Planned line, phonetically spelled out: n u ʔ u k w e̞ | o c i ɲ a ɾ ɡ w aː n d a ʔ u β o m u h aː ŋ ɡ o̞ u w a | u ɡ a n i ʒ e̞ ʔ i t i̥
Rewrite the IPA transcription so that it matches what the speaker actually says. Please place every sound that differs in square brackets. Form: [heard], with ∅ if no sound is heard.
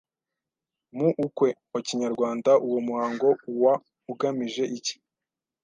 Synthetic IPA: [m] u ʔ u k w e̞ | o c i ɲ a ɾ ɡ w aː n d a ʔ u [w] o m u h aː ŋ ɡ o̞ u w a | u ɡ a [m] i ʒ e̞ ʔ i [c] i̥